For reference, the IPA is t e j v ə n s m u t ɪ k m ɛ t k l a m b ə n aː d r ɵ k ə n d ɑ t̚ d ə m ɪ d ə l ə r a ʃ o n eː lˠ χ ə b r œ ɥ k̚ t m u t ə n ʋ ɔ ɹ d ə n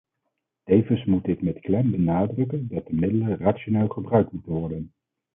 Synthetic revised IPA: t e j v ə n s m u t ɪ k m ɛ t k l ɛ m b ə n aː d r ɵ k ə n d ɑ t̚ d ə m ɪ d ə l ə r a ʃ o n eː lˠ χ ə b r œ ɥ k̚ t m u t ə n ʋ ɔ ɹ d ə n